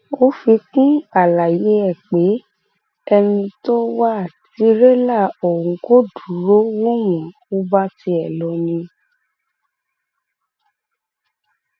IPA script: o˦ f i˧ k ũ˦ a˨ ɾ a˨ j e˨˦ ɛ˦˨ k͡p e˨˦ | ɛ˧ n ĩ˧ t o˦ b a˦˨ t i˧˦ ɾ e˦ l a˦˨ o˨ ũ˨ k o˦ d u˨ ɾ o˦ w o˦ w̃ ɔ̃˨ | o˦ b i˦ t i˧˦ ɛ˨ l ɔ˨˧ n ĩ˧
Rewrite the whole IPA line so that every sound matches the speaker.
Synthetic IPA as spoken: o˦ f i˧ k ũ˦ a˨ l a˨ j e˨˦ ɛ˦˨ k͡p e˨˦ | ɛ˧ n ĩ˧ t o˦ w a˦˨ t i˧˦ ɾ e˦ l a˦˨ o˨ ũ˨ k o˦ d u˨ ɾ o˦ w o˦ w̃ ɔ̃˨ | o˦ b a˦ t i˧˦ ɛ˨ l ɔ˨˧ n ĩ˧